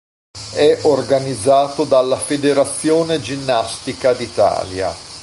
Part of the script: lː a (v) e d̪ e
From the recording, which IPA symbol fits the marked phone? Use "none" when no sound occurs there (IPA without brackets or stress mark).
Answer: f